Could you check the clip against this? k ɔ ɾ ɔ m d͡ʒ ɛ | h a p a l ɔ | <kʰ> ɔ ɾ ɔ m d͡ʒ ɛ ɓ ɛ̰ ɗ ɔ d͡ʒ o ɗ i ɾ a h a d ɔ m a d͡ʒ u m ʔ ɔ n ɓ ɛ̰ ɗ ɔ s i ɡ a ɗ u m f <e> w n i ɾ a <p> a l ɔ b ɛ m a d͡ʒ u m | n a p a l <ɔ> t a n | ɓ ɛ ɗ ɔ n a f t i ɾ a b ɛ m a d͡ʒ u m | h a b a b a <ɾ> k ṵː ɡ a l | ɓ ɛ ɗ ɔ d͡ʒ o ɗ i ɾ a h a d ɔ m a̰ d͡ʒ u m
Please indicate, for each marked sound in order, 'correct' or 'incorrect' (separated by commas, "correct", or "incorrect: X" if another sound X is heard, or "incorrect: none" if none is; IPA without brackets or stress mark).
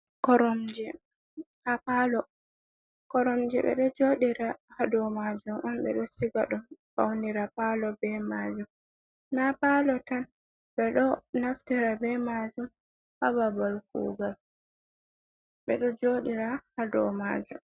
incorrect: k, incorrect: a, correct, correct, incorrect: l